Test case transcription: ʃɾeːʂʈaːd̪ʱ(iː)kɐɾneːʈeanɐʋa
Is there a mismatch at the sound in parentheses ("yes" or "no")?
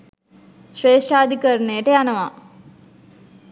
yes